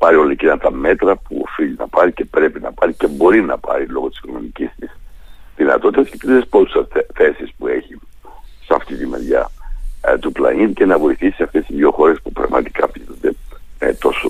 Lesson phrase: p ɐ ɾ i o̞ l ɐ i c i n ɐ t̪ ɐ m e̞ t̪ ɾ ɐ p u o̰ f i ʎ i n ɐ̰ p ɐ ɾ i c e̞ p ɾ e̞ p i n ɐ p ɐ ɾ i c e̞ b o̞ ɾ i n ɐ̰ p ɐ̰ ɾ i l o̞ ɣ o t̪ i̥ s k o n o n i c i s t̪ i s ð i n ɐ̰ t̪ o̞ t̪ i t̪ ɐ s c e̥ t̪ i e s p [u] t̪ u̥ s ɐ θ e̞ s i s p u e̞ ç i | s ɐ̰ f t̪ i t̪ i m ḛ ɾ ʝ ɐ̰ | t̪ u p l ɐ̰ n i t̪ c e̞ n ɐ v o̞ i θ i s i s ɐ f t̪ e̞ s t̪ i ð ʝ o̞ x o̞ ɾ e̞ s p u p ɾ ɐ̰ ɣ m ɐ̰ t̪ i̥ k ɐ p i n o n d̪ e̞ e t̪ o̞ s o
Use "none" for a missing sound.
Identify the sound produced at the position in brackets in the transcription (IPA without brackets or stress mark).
o